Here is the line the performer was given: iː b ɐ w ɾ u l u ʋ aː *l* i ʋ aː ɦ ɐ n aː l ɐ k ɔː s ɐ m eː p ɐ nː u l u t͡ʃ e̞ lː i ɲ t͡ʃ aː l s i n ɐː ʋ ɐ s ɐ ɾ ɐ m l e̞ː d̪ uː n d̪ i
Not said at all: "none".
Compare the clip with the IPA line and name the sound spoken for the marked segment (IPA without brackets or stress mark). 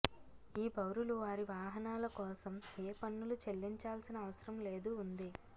ɾ